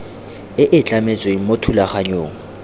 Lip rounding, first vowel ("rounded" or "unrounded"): unrounded